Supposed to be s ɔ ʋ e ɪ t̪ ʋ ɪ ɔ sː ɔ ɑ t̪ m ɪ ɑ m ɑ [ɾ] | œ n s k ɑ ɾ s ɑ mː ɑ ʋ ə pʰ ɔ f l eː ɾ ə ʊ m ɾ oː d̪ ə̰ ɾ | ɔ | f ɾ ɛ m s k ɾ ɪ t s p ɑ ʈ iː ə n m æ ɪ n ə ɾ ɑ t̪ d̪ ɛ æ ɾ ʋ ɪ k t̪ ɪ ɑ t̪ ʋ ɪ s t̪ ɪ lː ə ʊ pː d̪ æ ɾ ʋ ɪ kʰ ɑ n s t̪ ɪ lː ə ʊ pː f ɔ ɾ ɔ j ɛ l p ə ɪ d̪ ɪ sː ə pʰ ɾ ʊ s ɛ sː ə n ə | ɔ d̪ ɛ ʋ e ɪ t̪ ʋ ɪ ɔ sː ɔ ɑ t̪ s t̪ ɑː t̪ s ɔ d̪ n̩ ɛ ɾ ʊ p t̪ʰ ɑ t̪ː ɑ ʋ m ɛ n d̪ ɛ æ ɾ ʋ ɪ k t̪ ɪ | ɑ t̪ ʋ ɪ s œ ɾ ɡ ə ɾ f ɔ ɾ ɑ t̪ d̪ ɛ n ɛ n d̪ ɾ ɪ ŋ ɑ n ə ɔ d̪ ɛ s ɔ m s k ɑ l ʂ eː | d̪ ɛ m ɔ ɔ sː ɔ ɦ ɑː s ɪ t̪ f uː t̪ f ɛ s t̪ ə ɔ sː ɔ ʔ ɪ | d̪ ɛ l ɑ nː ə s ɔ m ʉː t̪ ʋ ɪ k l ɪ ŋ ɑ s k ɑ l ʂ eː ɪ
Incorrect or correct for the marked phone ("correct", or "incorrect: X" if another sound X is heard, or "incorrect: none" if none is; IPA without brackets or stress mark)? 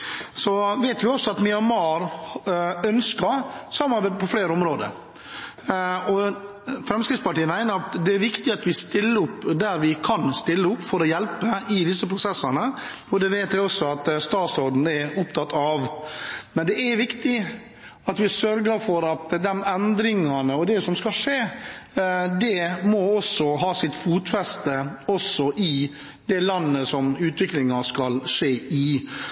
correct